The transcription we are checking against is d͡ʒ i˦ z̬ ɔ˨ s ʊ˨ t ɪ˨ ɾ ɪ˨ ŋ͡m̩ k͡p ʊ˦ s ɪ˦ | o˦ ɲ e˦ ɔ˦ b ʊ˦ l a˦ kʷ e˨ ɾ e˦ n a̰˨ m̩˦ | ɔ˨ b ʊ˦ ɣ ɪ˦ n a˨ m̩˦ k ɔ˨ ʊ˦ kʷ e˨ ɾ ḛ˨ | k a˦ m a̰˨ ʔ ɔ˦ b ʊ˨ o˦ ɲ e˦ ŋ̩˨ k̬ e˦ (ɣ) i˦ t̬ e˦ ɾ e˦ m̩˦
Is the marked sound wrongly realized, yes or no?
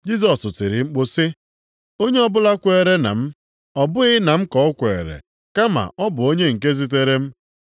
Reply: yes